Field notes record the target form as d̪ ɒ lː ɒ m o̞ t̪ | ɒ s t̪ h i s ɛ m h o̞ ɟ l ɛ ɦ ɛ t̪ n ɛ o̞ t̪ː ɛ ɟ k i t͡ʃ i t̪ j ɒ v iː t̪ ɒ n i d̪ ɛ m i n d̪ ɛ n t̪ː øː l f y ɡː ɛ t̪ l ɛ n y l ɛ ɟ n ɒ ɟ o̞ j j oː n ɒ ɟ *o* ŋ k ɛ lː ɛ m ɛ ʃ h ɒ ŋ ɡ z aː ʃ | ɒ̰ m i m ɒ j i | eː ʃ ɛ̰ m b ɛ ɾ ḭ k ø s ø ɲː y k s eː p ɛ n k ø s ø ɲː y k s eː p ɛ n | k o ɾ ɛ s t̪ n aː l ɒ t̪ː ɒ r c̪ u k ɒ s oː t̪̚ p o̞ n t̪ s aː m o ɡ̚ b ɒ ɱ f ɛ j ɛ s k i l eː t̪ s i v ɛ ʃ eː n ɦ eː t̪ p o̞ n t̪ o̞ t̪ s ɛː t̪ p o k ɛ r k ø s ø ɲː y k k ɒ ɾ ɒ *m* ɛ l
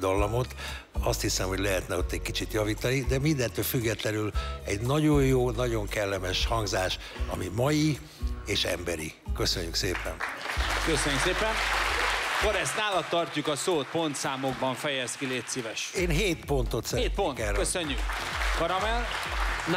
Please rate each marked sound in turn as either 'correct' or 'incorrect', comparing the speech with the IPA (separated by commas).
correct, correct